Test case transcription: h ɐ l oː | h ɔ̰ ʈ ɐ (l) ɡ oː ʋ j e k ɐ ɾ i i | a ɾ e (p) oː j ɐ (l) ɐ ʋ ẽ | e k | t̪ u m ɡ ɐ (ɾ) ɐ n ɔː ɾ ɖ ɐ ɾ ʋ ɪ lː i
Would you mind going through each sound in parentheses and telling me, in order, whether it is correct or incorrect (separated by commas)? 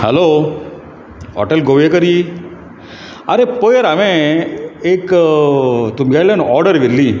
correct, correct, incorrect, incorrect